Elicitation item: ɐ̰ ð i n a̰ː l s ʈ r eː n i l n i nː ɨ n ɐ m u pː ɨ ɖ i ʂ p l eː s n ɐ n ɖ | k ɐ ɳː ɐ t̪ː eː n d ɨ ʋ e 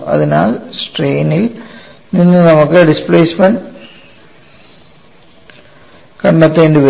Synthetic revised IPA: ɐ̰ ð i n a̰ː l s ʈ r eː n i l n i nː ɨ n ɐ m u kː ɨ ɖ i s p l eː s m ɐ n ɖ | k ɐ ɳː ɐ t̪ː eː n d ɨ ʋ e